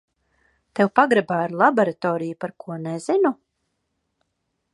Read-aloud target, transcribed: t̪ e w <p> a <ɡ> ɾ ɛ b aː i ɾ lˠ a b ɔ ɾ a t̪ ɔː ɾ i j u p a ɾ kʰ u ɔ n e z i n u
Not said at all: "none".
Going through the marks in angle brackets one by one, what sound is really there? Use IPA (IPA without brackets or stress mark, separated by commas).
p, ɡ